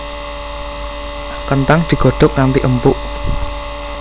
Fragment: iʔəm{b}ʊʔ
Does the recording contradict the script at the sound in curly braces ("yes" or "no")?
yes